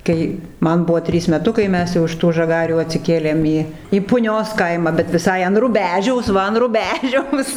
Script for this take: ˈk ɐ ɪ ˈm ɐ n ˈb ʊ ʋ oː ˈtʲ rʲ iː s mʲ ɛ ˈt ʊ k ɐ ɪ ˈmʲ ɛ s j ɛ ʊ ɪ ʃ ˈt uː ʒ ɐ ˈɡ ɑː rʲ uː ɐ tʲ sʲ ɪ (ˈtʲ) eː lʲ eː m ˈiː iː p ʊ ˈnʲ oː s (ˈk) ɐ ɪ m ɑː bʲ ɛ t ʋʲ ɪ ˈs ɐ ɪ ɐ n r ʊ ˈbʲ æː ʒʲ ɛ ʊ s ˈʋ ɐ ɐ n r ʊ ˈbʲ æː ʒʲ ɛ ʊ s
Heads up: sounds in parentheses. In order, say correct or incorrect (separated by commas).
incorrect, correct